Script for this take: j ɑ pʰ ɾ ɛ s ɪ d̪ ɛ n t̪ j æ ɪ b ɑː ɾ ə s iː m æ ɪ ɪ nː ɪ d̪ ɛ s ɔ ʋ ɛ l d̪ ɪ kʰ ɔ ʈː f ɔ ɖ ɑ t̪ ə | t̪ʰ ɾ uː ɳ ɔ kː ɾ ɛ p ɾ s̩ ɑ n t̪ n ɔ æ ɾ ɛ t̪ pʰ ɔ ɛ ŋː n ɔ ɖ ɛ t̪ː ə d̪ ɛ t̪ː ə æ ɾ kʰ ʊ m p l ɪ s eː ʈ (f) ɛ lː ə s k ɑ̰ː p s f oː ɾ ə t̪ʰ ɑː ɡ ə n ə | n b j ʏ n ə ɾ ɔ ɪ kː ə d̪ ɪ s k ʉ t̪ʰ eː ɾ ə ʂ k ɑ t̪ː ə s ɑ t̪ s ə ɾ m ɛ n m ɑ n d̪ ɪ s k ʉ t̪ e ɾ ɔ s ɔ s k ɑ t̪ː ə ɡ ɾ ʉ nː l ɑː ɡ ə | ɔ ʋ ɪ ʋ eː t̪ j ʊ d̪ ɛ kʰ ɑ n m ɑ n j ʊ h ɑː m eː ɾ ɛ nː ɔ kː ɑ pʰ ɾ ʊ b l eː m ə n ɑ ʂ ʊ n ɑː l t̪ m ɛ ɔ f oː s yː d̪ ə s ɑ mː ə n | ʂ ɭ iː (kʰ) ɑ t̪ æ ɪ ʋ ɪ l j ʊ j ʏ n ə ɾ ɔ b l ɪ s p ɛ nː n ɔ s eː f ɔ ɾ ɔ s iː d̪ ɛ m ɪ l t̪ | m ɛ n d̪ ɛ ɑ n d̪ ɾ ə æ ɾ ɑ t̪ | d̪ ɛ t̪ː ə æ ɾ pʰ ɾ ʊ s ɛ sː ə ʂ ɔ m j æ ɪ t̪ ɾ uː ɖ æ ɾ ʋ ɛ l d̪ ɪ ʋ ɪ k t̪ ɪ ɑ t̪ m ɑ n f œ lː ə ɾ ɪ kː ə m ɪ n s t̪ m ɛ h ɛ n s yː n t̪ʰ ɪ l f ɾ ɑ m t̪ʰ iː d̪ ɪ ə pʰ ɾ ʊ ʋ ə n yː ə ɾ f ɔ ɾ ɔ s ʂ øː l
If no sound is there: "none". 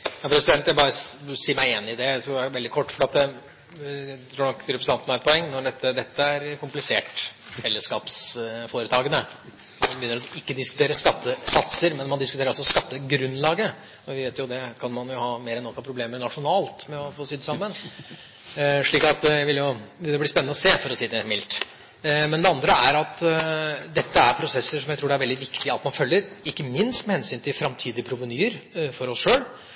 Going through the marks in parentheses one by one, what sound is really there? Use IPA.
f, k

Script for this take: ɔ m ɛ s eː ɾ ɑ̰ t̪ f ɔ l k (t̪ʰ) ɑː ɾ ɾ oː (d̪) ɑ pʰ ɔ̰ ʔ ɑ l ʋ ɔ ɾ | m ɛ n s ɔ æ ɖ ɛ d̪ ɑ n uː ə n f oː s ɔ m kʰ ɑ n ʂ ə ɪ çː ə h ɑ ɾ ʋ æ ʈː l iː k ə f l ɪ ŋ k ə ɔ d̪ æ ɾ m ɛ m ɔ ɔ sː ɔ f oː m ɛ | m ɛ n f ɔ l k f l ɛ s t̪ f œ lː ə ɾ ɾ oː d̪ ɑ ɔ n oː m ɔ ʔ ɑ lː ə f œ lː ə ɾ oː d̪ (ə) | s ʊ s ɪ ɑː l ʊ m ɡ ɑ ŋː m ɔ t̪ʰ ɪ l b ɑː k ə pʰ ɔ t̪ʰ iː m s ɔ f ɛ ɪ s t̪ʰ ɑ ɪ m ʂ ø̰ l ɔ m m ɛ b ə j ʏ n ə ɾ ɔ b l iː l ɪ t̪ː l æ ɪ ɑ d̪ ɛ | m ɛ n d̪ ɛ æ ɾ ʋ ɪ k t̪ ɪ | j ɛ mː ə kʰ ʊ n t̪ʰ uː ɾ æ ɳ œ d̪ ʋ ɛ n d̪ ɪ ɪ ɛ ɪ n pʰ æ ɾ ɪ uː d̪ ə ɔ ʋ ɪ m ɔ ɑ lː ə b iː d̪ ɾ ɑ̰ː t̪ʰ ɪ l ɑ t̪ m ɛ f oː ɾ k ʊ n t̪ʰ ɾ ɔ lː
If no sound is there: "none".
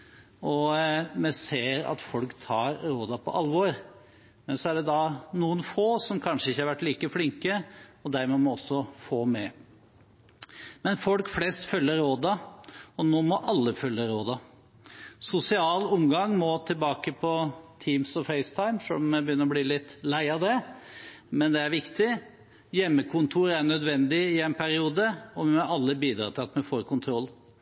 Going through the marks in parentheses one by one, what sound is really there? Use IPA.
t̪ʰ, d̪, ɑ

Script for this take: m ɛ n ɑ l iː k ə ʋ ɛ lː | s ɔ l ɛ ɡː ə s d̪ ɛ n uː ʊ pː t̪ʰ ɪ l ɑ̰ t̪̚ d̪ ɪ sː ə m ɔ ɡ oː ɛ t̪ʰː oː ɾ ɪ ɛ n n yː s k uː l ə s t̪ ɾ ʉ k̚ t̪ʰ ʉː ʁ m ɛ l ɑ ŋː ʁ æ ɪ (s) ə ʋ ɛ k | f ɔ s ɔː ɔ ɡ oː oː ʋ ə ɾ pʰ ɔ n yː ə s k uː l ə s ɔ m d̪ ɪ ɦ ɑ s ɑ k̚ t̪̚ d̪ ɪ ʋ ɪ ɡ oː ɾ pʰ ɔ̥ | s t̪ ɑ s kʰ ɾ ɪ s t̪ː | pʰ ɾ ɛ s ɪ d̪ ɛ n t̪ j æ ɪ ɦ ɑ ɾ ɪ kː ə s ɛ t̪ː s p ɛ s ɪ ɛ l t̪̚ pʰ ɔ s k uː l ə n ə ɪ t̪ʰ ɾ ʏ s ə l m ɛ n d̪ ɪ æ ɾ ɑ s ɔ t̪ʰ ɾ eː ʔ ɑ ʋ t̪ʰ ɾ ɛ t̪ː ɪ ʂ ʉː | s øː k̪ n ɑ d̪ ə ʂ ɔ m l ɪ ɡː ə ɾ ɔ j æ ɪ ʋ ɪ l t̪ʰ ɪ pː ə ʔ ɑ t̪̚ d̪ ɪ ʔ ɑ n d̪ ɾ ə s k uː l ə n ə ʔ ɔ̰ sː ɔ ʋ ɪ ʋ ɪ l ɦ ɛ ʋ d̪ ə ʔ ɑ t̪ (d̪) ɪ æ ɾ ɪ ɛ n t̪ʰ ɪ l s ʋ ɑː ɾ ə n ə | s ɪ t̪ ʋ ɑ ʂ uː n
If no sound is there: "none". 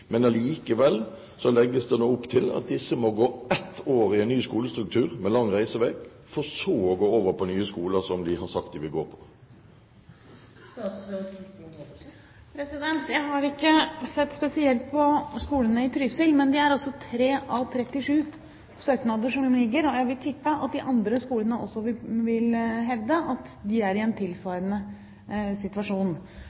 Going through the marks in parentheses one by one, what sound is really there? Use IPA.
s, d̪

